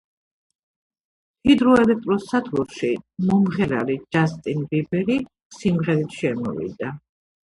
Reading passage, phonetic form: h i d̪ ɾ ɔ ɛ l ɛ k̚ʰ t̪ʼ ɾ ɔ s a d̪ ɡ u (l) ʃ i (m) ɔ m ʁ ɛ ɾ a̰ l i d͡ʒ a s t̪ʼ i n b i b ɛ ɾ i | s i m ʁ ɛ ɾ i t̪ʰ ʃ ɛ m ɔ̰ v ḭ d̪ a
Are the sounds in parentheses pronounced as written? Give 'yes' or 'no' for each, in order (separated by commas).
no, yes